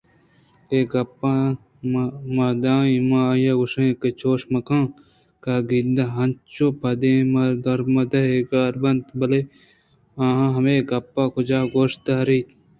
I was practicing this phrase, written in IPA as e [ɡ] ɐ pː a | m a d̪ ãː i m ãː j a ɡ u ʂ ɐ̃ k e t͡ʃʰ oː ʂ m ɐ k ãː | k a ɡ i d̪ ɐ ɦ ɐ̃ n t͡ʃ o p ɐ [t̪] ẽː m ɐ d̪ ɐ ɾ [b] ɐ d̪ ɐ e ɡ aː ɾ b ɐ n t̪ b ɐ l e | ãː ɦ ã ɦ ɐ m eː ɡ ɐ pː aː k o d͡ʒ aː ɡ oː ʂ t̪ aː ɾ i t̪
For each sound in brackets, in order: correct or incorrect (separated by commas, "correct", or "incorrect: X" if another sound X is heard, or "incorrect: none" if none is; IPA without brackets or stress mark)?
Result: correct, incorrect: d̪, incorrect: m